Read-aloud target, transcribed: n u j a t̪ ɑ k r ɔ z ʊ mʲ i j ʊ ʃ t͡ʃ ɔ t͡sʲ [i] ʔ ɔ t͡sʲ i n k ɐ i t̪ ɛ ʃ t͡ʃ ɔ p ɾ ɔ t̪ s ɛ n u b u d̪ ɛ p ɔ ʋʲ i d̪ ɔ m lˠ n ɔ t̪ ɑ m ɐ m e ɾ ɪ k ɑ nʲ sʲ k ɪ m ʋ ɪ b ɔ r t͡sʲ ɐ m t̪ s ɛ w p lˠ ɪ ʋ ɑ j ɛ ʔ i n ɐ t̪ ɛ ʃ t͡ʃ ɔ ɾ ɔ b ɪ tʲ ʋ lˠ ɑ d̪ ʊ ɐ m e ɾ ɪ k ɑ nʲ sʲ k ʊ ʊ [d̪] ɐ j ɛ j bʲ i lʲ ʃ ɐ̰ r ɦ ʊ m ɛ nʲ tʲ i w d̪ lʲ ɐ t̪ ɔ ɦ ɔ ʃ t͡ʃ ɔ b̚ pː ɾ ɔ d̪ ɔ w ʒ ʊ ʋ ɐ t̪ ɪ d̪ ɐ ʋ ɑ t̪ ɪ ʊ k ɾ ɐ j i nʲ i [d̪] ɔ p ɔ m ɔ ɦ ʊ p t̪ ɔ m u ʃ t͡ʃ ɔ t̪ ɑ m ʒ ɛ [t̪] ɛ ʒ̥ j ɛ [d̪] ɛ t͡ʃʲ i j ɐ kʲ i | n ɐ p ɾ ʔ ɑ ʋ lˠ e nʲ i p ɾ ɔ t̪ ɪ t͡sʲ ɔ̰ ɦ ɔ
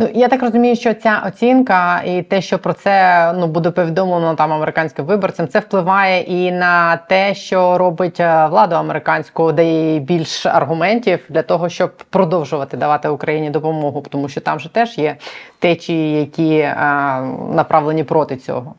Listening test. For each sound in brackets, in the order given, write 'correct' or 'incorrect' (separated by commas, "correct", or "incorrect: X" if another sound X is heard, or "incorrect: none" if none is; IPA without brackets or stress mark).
incorrect: a, correct, correct, correct, incorrect: t̪